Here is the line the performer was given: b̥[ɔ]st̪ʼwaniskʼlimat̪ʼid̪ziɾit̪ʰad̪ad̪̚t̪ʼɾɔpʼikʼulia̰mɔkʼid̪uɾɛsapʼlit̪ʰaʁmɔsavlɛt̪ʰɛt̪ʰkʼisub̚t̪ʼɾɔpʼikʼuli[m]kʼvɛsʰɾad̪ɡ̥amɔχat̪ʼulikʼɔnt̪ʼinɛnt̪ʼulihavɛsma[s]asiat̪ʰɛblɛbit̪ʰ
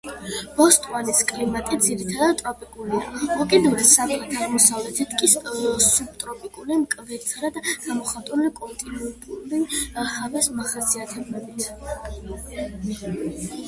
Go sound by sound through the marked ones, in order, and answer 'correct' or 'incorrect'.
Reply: correct, correct, incorrect: χ

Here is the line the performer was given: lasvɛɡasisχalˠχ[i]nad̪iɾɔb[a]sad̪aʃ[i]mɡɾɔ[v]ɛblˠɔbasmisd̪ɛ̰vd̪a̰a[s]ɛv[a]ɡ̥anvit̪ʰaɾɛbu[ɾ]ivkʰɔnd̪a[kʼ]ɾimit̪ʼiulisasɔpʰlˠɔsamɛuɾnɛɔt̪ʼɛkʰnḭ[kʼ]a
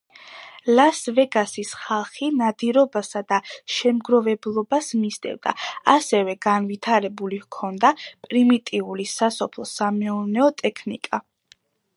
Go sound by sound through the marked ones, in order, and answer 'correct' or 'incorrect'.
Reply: correct, correct, incorrect: ɛ, correct, correct, incorrect: ɛ, incorrect: l, incorrect: pʼ, correct

